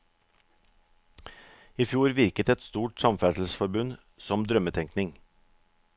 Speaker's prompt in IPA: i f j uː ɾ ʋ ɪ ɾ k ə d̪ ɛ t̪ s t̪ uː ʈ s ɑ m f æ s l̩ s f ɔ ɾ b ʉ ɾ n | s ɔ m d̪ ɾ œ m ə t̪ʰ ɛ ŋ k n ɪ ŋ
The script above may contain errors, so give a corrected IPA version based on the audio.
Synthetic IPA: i f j uː ɾ ʋ ɪ ɾ k ə t̪ ɛ t̪ s t̪ uː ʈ s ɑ m f æ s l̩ s f ɔ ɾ b ʉ n | s ɔ m d̪ ɾ œ m ə t̪ʰ ɛ ŋ k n ɪ ŋ